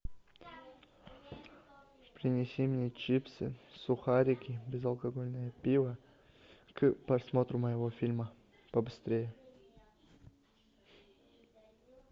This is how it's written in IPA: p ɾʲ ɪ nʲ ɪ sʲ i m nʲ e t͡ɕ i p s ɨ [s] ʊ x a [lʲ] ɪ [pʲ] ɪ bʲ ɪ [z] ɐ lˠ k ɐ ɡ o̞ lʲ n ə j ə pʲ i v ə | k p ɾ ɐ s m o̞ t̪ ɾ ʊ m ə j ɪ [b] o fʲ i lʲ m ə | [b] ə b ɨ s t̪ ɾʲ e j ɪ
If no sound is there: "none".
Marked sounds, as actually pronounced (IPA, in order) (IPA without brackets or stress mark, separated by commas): s, ɾʲ, kʲ, z, v, p